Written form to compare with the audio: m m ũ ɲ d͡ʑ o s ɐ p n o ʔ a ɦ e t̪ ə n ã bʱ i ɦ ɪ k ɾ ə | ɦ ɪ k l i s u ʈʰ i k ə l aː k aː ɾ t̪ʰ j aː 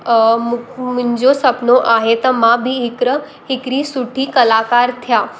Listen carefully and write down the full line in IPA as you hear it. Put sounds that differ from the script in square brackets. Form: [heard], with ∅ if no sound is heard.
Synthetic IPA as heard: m m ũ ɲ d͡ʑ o s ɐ p n o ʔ a ɦ e t̪ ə [m] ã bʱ i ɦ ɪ k ɾ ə | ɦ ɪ k [ɾ] i s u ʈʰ i k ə l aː k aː ɾ t̪ʰ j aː